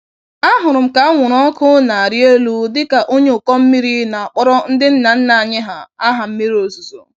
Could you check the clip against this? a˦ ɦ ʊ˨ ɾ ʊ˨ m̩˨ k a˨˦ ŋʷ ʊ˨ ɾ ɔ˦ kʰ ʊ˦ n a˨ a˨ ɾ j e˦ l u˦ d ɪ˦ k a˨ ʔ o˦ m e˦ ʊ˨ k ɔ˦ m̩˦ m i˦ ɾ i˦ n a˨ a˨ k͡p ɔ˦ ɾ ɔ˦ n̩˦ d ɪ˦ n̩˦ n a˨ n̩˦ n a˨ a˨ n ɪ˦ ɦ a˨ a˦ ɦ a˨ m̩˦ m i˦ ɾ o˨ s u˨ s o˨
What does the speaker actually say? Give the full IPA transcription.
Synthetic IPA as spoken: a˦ ɦ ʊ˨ ɾ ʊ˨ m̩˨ k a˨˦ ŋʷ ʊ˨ ɾ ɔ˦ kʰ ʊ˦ n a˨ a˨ ɾ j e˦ l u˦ d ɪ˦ k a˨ ʔ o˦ ɲ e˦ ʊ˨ k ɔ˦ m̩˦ m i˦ ɾ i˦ n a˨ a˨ k͡p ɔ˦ ɾ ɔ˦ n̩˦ d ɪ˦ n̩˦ n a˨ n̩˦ n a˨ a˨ ɲ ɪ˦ ɦ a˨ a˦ ɦ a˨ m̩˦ m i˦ ɾ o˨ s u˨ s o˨